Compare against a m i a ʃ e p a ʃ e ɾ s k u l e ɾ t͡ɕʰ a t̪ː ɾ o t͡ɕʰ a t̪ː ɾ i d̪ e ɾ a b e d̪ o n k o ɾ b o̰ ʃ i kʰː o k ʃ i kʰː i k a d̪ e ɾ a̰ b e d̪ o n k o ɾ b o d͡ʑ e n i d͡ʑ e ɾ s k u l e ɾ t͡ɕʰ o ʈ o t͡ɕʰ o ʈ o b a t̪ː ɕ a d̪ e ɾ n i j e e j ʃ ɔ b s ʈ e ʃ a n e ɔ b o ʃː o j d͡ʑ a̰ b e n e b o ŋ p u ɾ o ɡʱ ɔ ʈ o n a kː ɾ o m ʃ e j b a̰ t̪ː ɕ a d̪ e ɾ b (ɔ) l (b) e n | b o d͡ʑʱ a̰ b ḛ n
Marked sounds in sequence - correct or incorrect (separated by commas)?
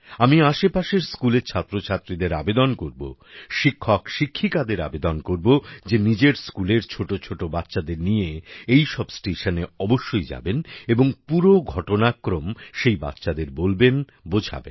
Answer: incorrect, correct